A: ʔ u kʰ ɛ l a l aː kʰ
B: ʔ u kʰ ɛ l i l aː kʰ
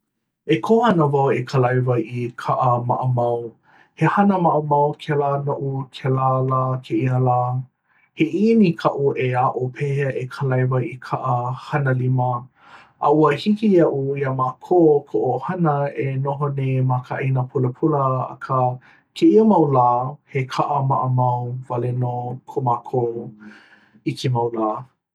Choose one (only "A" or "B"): A